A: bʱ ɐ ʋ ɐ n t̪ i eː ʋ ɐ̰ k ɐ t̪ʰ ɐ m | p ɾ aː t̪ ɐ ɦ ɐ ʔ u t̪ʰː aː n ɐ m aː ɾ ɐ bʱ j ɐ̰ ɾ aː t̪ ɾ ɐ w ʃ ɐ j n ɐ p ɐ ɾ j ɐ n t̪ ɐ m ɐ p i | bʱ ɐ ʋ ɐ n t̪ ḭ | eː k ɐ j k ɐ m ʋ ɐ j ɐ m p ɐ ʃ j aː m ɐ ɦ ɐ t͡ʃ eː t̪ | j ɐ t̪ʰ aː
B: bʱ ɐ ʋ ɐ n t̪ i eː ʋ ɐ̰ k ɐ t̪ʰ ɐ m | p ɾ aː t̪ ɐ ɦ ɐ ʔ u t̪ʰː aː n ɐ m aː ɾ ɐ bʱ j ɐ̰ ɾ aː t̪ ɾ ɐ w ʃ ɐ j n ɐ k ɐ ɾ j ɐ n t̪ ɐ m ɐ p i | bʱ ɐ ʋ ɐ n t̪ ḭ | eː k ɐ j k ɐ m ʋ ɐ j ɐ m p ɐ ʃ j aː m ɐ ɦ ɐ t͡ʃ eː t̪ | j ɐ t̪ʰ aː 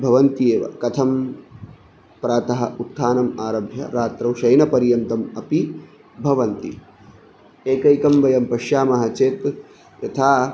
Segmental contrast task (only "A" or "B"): A